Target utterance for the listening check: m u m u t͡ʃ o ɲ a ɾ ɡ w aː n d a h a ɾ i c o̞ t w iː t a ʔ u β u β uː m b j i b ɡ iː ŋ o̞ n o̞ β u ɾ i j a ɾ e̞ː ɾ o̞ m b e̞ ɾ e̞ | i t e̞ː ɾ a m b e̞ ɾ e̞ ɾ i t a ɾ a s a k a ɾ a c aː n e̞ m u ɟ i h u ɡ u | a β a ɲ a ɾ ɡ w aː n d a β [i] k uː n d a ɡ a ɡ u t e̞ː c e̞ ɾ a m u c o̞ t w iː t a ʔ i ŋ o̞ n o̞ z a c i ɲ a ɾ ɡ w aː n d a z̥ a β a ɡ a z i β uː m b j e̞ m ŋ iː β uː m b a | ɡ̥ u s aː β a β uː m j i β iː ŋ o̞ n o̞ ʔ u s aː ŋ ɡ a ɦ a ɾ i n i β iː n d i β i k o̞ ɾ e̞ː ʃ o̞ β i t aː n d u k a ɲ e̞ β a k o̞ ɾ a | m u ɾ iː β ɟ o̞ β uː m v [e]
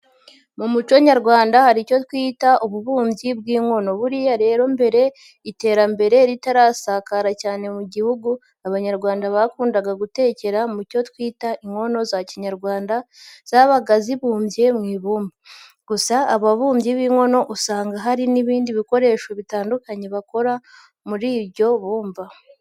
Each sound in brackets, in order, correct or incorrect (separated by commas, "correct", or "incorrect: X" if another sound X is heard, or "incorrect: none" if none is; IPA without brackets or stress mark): incorrect: a, incorrect: a